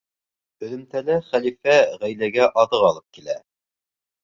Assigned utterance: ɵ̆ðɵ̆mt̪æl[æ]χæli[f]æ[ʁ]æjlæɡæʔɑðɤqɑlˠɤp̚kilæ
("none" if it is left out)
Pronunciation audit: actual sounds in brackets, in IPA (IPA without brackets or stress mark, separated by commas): æ, f, ʁ